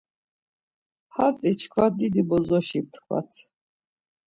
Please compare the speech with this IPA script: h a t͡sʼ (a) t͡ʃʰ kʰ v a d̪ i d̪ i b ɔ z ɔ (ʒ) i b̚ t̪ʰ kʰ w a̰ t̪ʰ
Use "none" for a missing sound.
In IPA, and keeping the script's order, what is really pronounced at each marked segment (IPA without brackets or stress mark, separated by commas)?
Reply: i, ʃ